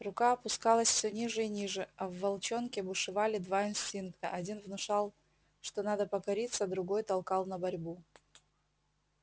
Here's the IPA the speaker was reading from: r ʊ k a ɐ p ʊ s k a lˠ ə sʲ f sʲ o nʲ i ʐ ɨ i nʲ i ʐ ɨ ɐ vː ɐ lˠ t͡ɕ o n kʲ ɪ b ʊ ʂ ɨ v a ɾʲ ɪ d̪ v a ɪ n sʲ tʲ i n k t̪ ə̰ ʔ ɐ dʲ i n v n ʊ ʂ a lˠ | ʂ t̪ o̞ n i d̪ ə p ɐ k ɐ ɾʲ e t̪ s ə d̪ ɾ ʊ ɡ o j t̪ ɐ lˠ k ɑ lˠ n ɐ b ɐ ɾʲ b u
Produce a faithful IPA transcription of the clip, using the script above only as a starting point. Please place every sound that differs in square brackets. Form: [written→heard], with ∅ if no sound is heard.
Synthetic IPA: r ʊ k a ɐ p ʊ s k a lˠ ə sʲ f sʲ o nʲ i ʐ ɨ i nʲ i ʐ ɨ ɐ vː ɐ lˠ t͡ɕ o n kʲ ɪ b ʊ ʂ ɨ v a [ɾʲ→lʲ] ɪ d̪ v a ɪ n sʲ tʲ i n k t̪ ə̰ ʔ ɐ dʲ i n v n ʊ ʂ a lˠ | ʂ t̪ o̞ n [i→a] d̪ ə p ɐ k ɐ ɾʲ [e→i] t̪ s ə d̪ ɾ ʊ ɡ o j t̪ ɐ lˠ k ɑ lˠ n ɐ b ɐ ɾʲ b u